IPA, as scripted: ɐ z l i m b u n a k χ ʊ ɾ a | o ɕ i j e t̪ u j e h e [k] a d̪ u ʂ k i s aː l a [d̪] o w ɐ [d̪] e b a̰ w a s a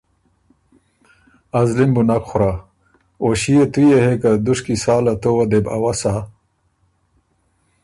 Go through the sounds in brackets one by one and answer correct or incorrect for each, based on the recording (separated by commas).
correct, incorrect, correct